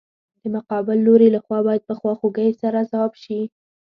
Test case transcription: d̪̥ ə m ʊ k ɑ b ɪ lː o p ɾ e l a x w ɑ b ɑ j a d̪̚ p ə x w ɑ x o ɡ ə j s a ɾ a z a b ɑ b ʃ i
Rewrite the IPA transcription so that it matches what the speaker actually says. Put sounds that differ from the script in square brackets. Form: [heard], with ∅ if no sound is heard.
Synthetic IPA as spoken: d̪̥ ə m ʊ [q] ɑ b ɪ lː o [∅] ɾ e l a x w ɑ b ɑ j a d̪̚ p ə x w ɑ x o ɡ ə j s a ɾ a z a [w] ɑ b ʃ i